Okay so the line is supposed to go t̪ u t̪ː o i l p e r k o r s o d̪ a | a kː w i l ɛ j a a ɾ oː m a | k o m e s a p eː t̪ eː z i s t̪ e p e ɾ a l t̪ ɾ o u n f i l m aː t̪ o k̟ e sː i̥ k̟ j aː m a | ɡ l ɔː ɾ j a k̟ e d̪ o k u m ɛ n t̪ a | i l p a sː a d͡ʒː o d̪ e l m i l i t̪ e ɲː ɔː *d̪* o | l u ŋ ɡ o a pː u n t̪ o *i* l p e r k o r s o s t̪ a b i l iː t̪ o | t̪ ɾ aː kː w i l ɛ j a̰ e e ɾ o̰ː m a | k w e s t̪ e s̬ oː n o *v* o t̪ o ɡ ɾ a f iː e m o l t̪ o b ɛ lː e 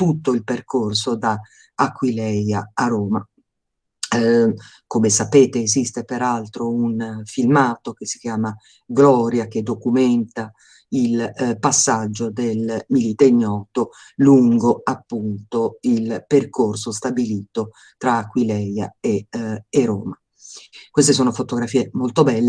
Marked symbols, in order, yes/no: no, yes, no

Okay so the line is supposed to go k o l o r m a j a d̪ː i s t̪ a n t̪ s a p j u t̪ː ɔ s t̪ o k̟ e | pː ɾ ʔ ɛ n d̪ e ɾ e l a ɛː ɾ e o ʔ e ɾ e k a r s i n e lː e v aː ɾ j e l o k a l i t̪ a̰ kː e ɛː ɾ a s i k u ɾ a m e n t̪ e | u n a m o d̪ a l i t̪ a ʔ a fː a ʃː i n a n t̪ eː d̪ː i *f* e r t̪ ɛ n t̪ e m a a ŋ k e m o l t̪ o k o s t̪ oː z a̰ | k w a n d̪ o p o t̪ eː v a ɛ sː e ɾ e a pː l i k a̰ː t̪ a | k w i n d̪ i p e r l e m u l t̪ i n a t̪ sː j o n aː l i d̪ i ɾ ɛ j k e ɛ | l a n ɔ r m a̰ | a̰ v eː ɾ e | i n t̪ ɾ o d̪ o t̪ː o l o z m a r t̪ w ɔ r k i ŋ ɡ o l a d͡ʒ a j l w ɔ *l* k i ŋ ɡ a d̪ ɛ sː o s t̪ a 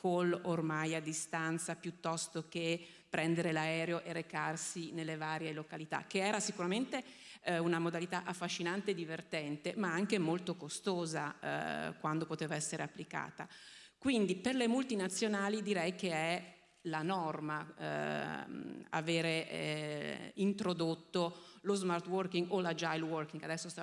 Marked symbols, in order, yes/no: no, no

